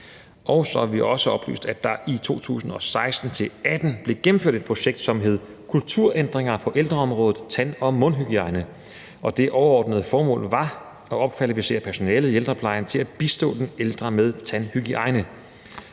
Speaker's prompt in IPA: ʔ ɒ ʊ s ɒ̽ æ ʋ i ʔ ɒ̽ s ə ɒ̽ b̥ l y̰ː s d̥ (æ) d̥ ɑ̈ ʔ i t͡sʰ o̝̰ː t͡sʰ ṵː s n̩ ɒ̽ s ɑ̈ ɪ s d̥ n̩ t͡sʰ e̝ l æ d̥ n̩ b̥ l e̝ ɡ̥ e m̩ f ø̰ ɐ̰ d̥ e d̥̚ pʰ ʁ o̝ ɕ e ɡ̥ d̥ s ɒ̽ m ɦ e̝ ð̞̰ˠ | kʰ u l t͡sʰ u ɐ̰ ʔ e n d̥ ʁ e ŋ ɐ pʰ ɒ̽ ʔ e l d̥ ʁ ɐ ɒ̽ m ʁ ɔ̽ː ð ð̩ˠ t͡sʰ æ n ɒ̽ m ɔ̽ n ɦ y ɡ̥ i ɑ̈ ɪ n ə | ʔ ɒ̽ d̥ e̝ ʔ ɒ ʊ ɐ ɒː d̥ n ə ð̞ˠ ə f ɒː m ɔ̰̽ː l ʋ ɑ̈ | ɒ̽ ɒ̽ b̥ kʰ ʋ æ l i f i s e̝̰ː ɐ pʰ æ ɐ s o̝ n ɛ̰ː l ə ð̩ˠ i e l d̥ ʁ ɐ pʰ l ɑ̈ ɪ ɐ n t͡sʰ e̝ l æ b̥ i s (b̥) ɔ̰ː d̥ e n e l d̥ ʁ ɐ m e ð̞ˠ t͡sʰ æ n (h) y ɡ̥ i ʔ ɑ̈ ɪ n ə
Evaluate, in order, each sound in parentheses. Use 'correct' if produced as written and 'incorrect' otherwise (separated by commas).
correct, incorrect, correct